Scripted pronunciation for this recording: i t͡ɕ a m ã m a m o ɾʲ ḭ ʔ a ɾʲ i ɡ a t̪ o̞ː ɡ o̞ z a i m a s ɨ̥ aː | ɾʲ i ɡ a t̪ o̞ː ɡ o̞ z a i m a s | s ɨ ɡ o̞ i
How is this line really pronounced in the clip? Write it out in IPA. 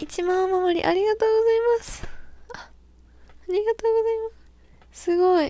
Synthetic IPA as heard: i t͡ɕ i m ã m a m o ɾʲ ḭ ʔ a ɾʲ i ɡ a t̪ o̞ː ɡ o̞ z a i m a s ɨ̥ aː | ɾʲ i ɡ a t̪ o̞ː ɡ o̞ z a i m a s | s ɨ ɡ o̞ i